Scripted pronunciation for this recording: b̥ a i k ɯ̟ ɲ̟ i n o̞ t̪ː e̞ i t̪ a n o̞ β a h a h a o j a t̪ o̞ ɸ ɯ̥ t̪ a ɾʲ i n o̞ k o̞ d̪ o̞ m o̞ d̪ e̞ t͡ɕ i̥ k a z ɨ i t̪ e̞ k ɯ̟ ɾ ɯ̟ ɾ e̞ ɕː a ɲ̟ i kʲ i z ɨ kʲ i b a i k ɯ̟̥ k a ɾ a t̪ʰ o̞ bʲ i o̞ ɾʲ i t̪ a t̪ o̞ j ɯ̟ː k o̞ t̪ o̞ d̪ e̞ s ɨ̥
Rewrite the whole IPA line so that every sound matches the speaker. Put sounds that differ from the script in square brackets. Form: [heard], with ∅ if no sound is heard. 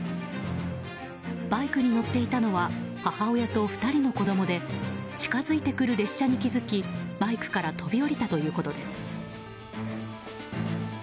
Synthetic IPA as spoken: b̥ a i k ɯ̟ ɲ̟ i n o̞ t̪ː e̞ i t̪ a n o̞ β a h a h a o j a t̪ o̞ ɸ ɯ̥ t̪ a ɾʲ i n o̞ k o̞ d̪ o̞ m o̞ d̪ e̞ t͡ɕ i̥ k a z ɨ i t̪ e̞ k ɯ̟ ɾ ɯ̟ ɾ e̞ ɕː a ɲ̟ i kʲ i z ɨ kʲ i b a i k ɯ̟̥ k a ɾ a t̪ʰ o̞ bʲ i o̞ ɾʲ i t̪ a t̪ o̞ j ɯ̟ː k o̞ t̪ o̞ d̪ e̞ s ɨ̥